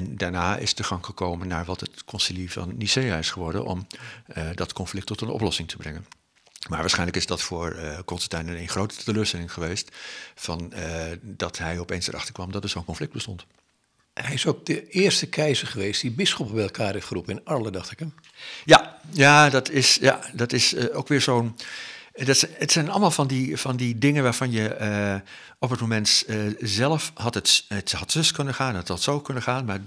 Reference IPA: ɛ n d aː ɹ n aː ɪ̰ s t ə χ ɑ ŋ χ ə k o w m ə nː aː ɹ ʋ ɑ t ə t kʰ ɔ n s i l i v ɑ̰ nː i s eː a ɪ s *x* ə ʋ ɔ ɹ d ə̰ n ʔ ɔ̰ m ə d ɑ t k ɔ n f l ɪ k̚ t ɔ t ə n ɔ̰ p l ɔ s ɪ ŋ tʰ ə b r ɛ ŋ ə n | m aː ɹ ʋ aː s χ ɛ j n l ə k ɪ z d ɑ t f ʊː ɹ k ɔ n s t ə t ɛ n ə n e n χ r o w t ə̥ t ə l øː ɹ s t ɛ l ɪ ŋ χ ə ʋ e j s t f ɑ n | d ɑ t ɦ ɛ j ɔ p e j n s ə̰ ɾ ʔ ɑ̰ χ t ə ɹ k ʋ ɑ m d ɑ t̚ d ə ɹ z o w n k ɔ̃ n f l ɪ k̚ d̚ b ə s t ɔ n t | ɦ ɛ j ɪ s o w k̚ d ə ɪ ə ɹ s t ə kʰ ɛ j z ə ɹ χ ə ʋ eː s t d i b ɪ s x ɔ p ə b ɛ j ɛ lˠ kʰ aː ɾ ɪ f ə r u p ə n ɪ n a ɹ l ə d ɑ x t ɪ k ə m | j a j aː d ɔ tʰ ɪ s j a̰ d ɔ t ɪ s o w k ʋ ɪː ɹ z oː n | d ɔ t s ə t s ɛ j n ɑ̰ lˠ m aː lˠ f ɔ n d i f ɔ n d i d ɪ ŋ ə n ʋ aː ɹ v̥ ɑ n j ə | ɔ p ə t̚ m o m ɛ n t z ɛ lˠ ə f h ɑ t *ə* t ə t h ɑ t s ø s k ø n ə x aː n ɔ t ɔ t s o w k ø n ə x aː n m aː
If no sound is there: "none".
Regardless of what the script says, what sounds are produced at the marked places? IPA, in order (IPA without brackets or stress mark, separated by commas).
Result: χ, ə